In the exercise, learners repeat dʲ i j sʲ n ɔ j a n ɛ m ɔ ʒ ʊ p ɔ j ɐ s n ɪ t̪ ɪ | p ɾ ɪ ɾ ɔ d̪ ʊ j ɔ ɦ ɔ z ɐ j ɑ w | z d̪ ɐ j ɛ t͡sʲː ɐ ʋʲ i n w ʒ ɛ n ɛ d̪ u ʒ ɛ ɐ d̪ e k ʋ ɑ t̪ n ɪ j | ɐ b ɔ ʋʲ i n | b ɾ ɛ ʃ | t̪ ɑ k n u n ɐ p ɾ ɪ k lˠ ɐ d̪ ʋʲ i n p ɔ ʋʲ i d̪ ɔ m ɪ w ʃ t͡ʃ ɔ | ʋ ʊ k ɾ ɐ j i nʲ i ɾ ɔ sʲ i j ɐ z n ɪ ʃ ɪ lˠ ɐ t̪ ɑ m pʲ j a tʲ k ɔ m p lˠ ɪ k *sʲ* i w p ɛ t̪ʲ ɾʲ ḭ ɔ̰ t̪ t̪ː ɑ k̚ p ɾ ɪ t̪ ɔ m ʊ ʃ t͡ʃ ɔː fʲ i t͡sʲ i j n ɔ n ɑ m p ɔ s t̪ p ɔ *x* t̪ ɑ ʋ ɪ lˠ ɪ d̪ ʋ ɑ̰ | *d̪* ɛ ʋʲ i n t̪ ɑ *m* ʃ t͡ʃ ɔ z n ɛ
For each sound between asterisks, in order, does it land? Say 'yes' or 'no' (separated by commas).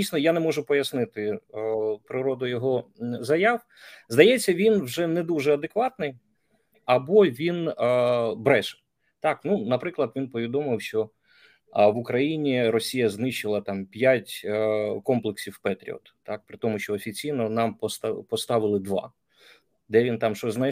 yes, no, yes, yes